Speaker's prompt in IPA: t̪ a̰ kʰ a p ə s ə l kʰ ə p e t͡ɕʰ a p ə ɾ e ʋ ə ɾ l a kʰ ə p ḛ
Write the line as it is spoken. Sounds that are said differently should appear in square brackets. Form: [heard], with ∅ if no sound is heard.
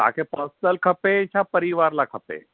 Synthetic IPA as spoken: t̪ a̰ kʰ [e] p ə s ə l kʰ ə p e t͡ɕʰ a p ə ɾ [i] ʋ [a] ɾ l a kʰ ə p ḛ